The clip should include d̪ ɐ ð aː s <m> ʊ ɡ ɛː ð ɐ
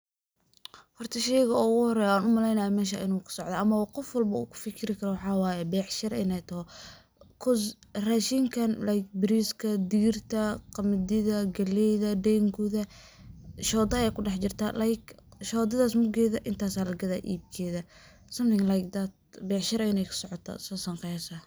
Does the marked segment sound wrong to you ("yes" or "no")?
no